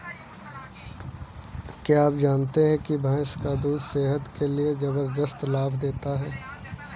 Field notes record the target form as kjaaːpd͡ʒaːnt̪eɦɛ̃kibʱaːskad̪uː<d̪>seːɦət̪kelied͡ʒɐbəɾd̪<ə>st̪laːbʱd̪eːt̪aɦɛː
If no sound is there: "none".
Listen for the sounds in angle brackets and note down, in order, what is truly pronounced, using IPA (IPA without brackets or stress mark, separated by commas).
d̪, ə